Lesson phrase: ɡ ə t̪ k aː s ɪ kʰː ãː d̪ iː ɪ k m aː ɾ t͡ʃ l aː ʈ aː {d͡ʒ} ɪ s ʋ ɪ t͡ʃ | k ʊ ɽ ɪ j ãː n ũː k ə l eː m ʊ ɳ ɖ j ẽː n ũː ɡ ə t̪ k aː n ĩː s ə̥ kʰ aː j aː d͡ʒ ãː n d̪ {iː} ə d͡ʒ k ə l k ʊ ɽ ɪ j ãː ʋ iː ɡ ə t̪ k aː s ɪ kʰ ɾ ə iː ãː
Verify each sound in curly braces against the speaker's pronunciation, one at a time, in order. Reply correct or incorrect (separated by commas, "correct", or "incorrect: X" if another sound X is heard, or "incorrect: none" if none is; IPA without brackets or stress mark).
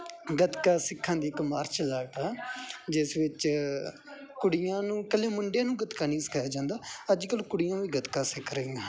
correct, incorrect: aː